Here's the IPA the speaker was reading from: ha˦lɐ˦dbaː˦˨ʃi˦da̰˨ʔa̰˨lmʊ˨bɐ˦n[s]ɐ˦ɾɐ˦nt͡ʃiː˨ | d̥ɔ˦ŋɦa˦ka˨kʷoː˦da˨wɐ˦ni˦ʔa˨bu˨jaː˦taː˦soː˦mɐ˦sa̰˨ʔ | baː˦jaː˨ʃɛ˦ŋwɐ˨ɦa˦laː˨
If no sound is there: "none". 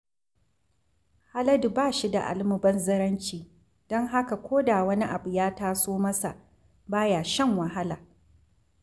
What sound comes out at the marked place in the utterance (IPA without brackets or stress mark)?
z